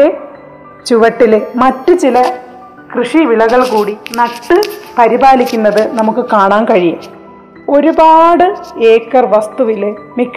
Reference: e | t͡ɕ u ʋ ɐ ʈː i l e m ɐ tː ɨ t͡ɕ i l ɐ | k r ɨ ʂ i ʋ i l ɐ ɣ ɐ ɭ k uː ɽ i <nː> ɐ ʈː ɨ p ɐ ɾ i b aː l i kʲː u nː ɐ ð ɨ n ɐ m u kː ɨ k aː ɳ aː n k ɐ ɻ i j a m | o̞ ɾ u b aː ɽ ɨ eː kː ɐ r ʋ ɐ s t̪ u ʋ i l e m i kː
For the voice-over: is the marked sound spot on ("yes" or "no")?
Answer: no